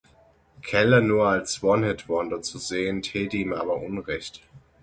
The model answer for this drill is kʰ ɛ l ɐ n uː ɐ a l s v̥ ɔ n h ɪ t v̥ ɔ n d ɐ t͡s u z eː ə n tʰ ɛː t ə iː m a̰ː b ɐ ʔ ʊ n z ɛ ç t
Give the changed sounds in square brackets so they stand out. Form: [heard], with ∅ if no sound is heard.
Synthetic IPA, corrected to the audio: kʰ ɛ l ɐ n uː ɐ a l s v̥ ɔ n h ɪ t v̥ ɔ n d ɐ t͡s u z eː ə n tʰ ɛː t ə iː m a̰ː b ɐ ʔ ʊ n [ʁ] ɛ ç t